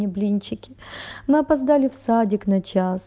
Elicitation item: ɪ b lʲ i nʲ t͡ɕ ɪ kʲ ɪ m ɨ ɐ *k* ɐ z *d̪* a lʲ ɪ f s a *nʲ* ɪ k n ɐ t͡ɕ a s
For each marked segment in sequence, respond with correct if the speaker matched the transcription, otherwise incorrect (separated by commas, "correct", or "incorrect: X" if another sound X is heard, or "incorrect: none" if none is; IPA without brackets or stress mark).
incorrect: p, correct, incorrect: dʲ